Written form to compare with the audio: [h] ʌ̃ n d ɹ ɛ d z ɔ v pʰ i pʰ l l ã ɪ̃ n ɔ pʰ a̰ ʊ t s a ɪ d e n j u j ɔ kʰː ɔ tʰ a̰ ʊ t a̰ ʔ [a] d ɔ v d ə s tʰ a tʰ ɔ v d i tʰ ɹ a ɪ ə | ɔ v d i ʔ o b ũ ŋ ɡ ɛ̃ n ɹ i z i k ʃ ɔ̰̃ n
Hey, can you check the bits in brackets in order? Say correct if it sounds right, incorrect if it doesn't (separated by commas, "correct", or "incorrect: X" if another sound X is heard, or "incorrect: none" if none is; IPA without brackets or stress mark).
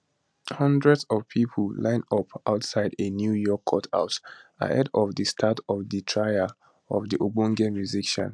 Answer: correct, incorrect: ɛ